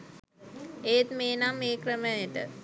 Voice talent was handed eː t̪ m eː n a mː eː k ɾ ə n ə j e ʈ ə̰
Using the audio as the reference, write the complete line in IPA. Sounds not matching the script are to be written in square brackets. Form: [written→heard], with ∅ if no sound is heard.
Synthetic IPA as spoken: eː t̪ m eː n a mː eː k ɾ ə [n→m] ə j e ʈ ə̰